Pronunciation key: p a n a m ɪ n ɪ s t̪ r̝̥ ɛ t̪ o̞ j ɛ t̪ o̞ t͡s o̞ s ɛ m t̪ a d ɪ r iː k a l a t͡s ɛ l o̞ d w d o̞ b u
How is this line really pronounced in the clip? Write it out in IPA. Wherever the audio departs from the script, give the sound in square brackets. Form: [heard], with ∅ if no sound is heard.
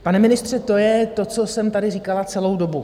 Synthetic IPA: p a n [ɛ] m ɪ n ɪ s t̪ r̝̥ ɛ t̪ o̞ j ɛ t̪ o̞ t͡s o̞ s ɛ m t̪ a d ɪ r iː k a l a t͡s ɛ l o̞ [∅] w d o̞ b u